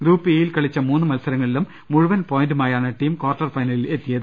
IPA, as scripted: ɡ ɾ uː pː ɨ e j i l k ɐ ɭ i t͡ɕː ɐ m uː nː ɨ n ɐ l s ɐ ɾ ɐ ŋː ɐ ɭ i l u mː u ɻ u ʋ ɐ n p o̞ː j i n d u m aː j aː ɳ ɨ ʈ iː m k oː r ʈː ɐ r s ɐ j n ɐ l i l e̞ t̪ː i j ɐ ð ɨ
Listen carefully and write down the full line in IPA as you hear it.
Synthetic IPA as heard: ɡ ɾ uː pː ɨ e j i l k ɐ ɭ i t͡ɕː ɐ m uː nː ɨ m ɐ l s ɐ ɾ ɐ ŋː ɐ ɭ i l u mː u ɻ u ʋ ɐ n p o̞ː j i n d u m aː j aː ɳ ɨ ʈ iː m k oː r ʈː ɐ r f ɐ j n ɐ l i l e̞ t̪ː i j ɐ ð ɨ